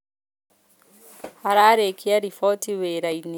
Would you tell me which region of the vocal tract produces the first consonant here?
throat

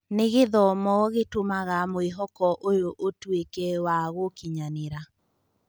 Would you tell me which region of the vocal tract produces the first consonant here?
tongue tip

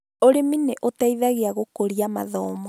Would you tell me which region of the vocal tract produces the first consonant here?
tongue tip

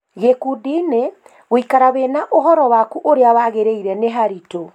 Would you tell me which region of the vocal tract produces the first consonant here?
velum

